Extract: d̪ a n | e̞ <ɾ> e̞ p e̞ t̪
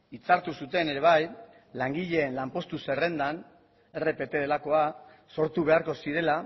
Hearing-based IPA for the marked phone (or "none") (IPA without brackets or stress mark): r